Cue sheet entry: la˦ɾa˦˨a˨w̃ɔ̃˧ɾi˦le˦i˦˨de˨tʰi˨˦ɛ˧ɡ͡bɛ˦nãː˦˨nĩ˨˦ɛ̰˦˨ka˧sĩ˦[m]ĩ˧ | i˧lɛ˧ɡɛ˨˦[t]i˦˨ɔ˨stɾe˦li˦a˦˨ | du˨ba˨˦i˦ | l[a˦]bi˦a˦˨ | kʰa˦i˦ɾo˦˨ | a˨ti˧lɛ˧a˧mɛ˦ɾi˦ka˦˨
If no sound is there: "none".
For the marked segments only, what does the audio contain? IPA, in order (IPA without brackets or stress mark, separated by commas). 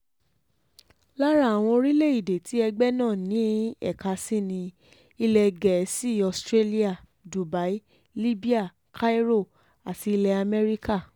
n, s, i˦